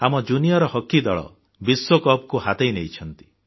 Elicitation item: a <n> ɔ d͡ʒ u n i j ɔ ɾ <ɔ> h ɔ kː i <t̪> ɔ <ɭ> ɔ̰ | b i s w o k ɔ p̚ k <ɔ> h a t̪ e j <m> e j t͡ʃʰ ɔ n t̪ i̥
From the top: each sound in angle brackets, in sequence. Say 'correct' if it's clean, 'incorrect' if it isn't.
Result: incorrect: m, correct, incorrect: d̪, correct, incorrect: u, incorrect: n

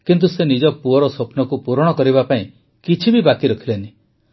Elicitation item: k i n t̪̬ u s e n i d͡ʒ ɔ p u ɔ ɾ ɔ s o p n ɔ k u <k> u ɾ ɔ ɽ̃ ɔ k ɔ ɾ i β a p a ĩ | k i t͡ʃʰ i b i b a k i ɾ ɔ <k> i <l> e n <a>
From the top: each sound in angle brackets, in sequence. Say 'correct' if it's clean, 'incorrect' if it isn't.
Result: incorrect: p, incorrect: kʰ, correct, incorrect: i

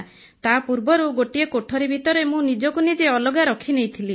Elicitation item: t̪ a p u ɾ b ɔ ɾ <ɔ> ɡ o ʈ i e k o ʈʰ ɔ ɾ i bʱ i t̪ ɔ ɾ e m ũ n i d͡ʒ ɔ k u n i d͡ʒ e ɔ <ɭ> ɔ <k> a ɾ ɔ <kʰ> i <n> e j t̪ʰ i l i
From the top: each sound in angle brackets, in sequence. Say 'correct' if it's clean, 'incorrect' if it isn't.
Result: incorrect: u, incorrect: l, incorrect: ɡ, correct, correct

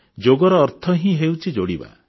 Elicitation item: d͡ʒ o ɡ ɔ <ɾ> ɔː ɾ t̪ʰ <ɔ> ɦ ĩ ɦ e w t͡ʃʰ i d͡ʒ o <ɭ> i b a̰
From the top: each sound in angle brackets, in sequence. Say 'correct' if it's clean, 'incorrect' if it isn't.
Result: correct, correct, incorrect: ɽ

